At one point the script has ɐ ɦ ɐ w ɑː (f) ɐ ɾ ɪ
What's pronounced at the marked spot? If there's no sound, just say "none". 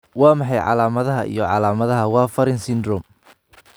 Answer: f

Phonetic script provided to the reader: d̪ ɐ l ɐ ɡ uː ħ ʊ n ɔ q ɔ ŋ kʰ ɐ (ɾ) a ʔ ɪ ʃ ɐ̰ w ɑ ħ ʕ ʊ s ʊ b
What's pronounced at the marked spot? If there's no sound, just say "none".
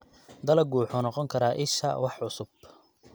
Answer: ɾ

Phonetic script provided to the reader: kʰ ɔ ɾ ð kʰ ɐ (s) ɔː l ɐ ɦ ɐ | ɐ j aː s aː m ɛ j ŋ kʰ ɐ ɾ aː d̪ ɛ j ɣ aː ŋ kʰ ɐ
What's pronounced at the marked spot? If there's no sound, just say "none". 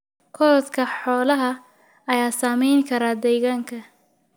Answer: ħ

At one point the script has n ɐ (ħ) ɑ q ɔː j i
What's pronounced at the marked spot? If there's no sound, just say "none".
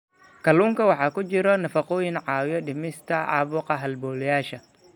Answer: f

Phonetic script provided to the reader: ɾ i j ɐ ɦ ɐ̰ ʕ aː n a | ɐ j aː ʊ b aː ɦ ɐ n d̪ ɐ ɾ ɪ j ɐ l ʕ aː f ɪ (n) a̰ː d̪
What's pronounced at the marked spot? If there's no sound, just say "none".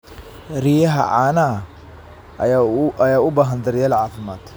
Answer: m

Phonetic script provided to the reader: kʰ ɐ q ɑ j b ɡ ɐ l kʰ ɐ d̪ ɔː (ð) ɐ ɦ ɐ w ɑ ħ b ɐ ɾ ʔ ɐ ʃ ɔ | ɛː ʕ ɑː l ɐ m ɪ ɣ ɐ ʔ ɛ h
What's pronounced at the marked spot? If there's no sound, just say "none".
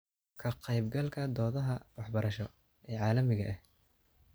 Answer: ð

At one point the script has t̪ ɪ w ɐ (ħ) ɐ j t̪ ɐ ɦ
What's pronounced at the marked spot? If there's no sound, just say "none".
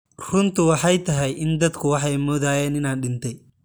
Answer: ħ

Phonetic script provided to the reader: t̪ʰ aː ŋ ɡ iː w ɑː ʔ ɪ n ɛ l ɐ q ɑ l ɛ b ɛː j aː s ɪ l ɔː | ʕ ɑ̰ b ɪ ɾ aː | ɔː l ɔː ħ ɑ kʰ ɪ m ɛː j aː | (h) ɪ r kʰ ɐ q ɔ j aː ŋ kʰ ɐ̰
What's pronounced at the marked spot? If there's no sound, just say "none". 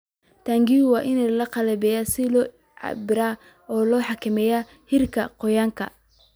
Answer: h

